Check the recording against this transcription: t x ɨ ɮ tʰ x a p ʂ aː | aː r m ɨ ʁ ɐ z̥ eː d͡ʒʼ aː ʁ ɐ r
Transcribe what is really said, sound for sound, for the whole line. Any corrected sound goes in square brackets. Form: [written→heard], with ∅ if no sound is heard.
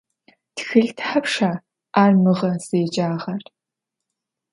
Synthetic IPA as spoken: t x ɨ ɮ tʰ [x→ħ] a p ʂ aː | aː r m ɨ ʁ ɐ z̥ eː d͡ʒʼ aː ʁ ɐ r